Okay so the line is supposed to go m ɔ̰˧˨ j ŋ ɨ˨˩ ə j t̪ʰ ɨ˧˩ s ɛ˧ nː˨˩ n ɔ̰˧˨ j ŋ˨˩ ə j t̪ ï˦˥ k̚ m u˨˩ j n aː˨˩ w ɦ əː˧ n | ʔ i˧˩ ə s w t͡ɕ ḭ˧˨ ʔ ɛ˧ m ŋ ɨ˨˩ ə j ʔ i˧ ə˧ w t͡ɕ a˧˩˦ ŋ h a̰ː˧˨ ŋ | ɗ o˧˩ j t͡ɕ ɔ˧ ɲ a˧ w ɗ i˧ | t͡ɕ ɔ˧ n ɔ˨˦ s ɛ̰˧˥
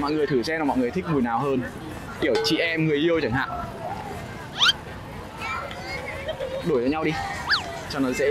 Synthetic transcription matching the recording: m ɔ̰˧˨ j ŋ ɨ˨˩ ə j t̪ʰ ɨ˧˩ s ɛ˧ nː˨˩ m ɔ̰˧˨ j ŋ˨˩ ə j t̪ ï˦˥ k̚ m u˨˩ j n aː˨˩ w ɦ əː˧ n | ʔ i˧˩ ə w t͡ɕ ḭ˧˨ ʔ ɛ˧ m ŋ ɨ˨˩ ə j ʔ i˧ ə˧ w t͡ɕ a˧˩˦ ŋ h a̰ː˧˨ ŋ | ɗ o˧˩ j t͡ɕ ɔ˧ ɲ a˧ w ɗ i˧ | t͡ɕ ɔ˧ n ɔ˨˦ s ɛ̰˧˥